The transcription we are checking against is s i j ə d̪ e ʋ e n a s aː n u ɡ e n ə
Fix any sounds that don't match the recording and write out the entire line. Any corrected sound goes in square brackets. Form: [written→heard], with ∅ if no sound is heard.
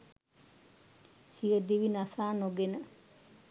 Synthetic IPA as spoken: s i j ə d̪ [e→i] ʋ [e→i] n a s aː n [u→o] ɡ e n ə

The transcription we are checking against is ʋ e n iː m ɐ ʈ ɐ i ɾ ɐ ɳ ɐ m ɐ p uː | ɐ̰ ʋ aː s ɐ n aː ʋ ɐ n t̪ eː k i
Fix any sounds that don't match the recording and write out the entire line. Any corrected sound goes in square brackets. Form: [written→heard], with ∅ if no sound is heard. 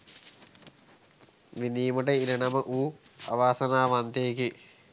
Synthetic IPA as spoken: ʋ [e→i] n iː m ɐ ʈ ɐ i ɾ ɐ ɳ ɐ m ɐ [p→ʔ] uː | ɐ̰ ʋ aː s ɐ n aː ʋ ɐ n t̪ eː k i

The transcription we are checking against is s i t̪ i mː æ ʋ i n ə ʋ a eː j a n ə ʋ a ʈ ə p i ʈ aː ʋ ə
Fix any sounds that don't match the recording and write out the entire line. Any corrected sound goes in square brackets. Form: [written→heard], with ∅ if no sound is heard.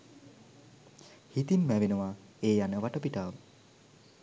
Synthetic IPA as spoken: [s→h] i t̪ i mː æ ʋ [i→e] n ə ʋ a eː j a n ə ʋ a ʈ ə p i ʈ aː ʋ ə

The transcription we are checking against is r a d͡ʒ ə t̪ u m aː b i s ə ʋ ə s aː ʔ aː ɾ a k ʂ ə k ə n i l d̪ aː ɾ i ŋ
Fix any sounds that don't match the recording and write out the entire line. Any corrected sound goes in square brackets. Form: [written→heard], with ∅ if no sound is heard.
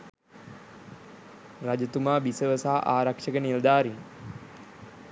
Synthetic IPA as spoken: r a d͡ʒ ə t̪ u m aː b i s ə ʋ ə s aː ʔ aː ɾ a k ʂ ə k ə n i l d̪ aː ɾ i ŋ

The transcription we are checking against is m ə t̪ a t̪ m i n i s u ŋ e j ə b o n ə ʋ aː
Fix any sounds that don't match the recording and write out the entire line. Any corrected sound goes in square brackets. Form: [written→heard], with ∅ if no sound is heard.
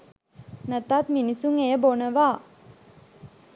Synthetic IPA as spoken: [m→n] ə t̪ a t̪ m i n i s u ŋ e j ə b o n ə ʋ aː

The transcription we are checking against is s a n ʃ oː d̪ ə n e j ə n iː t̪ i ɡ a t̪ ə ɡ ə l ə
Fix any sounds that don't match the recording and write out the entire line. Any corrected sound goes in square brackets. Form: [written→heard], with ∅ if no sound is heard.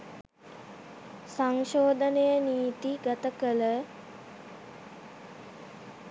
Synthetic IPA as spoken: s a [n→ŋ] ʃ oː d̪ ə n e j ə n iː t̪ i ɡ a t̪ ə [ɡ→k] ə l ə

